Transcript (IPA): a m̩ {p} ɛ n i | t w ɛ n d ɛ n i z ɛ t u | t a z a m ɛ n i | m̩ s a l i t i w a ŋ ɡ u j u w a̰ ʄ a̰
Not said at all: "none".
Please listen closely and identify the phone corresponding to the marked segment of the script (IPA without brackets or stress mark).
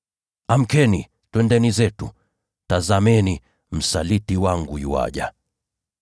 k